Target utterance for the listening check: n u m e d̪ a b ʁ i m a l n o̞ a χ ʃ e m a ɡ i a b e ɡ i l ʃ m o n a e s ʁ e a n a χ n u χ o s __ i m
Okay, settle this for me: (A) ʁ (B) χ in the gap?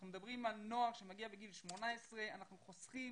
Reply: B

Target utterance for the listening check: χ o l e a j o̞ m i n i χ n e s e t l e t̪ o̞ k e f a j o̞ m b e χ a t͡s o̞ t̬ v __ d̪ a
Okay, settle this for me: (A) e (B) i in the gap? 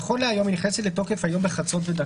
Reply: A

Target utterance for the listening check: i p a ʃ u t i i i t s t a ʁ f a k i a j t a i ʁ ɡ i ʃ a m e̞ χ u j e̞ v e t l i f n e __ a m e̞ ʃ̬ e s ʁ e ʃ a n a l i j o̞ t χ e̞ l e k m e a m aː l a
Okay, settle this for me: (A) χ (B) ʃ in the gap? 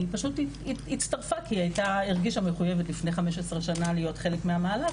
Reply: A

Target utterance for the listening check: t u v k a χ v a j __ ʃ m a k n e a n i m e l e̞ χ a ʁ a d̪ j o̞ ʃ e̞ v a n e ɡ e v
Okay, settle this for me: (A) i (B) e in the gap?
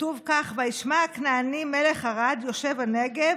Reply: A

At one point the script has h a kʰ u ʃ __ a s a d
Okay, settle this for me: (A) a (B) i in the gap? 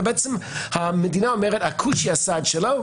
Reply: B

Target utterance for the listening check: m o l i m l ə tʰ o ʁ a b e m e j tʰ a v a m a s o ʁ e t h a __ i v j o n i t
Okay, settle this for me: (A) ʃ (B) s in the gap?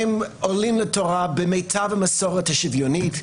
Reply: A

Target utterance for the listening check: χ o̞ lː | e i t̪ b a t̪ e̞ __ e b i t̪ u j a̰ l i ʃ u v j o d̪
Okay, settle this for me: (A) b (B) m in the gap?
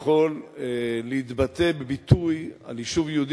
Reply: A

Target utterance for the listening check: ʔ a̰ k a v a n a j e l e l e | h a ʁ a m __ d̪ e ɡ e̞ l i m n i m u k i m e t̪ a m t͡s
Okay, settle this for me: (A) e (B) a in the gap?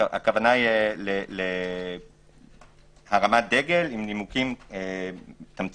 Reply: B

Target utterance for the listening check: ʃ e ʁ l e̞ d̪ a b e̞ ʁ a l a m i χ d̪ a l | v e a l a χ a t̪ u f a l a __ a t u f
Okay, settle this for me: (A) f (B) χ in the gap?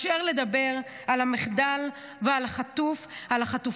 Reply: B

